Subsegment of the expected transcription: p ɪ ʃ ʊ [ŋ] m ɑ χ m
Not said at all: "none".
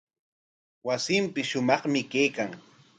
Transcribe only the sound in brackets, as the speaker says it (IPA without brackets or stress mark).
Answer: none